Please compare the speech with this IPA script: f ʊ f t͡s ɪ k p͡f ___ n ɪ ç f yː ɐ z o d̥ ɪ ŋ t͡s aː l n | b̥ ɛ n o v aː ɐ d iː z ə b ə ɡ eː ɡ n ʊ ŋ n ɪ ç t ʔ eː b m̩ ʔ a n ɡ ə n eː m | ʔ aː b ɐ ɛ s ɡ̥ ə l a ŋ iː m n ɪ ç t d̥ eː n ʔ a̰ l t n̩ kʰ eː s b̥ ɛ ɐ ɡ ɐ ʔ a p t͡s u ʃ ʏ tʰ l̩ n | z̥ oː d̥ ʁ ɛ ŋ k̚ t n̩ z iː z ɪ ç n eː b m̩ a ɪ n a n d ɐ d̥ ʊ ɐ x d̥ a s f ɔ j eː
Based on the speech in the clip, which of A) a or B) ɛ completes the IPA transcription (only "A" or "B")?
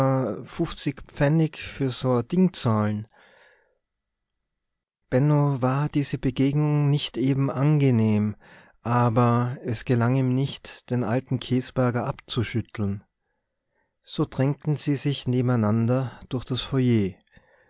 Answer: B